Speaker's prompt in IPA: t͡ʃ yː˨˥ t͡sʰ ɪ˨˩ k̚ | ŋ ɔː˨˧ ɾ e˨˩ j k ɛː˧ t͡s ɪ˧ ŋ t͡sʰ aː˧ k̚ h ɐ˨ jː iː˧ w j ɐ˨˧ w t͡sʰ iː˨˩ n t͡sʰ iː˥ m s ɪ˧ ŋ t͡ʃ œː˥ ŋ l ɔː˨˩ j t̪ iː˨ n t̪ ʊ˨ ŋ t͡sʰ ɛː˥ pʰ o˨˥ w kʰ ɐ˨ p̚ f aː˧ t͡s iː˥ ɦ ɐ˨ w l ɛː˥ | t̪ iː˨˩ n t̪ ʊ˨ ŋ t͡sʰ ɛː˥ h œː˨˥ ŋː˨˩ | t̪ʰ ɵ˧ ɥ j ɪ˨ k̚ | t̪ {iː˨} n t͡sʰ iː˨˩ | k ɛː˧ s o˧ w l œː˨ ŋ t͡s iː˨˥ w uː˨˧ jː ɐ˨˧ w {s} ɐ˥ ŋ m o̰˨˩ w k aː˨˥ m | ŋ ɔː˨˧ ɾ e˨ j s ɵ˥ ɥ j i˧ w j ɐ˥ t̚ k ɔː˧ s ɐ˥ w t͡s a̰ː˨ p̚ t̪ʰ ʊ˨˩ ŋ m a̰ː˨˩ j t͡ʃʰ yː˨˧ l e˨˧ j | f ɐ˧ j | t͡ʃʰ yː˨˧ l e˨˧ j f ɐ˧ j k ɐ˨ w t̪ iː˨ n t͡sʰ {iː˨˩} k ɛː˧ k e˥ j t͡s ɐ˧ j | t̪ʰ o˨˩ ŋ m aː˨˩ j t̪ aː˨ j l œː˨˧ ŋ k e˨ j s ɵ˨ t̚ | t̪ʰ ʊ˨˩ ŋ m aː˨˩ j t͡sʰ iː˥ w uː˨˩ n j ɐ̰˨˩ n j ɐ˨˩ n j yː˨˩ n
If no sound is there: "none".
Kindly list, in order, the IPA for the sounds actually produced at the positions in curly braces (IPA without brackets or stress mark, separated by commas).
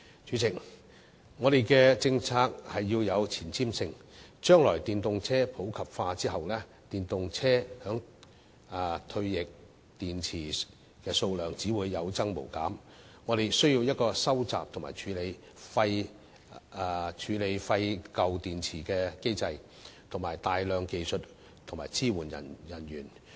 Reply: iː˨, t͡s, iː˨˩